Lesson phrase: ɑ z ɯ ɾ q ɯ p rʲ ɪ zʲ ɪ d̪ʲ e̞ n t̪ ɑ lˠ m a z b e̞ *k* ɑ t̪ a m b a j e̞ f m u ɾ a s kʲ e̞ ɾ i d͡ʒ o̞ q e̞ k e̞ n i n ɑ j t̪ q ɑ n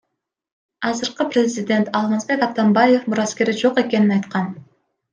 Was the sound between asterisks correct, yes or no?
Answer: yes